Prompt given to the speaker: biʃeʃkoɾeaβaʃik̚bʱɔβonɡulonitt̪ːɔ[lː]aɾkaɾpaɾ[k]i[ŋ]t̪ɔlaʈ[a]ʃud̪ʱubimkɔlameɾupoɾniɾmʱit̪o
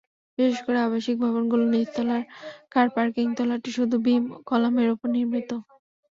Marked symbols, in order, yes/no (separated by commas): no, yes, yes, no